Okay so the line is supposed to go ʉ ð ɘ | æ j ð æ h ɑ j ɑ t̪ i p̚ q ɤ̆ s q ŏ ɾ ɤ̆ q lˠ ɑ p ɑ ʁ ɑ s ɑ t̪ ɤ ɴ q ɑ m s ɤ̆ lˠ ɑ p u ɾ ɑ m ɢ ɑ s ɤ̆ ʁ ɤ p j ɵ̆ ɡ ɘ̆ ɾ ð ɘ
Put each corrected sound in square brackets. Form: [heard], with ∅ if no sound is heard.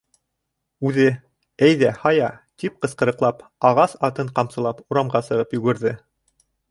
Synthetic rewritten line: ʉ ð ɘ | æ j ð æ h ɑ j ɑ t̪ i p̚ q ɤ̆ s q [ɤ̆] ɾ ɤ̆ q lˠ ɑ p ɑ ʁ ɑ s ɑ t̪ ɤ ɴ q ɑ m s ɤ̆ lˠ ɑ p u ɾ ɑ m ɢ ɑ s ɤ̆ ʁ ɤ p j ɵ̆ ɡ ɘ̆ ɾ ð ɘ